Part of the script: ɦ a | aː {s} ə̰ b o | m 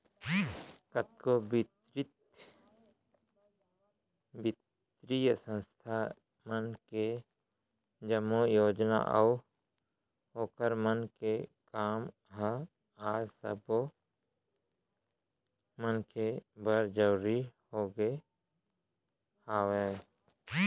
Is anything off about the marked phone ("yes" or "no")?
no